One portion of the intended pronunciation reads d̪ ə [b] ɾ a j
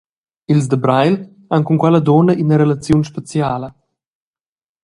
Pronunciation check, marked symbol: correct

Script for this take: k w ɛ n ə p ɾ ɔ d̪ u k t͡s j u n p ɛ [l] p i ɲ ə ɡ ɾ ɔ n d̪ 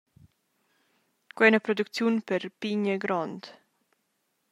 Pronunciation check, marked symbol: incorrect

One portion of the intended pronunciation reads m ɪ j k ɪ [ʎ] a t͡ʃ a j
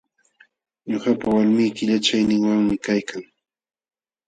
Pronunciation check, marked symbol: correct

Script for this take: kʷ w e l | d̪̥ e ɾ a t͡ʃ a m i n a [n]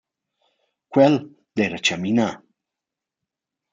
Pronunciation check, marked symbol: incorrect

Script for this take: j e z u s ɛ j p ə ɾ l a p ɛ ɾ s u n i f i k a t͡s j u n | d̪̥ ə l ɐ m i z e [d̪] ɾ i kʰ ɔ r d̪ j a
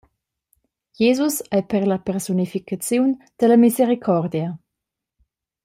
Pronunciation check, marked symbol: incorrect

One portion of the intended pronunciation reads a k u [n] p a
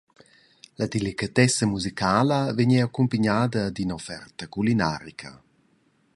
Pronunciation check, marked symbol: incorrect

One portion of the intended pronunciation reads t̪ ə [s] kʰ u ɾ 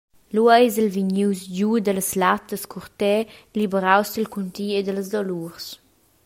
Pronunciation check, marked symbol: correct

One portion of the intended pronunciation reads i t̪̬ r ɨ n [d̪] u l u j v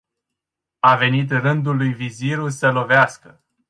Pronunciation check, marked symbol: correct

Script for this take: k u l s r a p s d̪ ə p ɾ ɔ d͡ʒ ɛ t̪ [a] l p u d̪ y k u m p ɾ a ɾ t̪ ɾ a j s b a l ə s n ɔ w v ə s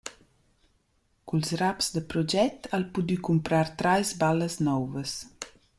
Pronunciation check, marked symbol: correct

